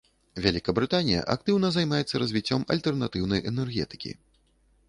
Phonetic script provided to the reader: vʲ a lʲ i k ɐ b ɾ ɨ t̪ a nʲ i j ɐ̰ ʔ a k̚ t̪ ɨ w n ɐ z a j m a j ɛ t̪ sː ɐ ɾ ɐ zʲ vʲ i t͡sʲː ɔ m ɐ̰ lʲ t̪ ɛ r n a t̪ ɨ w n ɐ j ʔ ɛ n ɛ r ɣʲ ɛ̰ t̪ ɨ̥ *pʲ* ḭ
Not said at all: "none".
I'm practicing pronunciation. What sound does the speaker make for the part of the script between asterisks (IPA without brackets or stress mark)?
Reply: kʲ